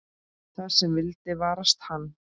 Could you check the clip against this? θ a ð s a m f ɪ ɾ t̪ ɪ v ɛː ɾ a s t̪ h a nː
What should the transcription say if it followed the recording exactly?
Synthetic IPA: θ a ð s ɛ m v ɪ l t̪ ɪ v aː ɾ a s t̪ h a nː